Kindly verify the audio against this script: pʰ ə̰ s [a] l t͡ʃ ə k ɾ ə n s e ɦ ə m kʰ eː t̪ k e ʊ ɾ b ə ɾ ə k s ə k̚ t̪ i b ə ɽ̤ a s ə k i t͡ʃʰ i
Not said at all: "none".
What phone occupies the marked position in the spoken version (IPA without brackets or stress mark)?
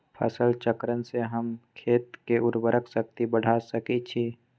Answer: ə